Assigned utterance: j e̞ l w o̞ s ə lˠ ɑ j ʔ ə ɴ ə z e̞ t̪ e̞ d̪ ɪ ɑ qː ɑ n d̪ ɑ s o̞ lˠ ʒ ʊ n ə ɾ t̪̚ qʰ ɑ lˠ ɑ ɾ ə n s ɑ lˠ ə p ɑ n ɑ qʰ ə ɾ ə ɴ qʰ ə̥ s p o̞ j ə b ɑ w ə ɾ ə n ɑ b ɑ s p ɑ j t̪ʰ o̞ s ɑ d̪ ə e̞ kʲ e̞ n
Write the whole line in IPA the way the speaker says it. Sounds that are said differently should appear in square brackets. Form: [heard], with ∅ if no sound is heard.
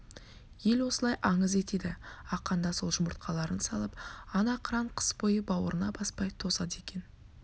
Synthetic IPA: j e̞ l w o̞ s ə lˠ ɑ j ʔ [ɑ] ɴ ə z e̞ t̪ e̞ d̪ ɪ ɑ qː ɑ n d̪ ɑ s o̞ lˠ ʒ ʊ [m] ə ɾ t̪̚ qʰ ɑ lˠ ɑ ɾ ə n s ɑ lˠ ə p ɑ n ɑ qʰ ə ɾ [ɑ] ɴ qʰ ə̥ s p o̞ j ə b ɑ w ə ɾ ə n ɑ b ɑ s p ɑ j t̪ʰ o̞ s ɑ d̪ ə e̞ kʲ e̞ n